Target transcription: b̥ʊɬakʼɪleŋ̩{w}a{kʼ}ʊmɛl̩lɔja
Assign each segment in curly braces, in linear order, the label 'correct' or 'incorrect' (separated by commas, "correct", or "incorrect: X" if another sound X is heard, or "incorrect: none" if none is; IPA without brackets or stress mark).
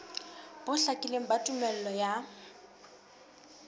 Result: incorrect: b, incorrect: tʼ